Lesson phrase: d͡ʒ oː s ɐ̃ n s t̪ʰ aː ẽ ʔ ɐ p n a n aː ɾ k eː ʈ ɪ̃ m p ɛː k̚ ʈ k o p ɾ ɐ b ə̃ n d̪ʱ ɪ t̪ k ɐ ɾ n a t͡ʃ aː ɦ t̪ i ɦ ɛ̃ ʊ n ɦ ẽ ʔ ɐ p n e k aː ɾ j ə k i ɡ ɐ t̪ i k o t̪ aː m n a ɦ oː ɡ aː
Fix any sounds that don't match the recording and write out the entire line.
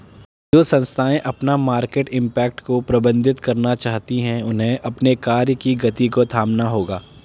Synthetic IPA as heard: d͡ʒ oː s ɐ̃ n s t̪ʰ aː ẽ ʔ ɐ p n a m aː ɾ k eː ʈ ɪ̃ m p ɛː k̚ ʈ k o p ɾ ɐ b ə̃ n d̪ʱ ɪ t̪ k ɐ ɾ n a t͡ʃ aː ɦ t̪ i ɦ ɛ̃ ʊ n ɦ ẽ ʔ ɐ p n e k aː ɾ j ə k i ɡ ɐ t̪ i k o t̪ʰ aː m n a ɦ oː ɡ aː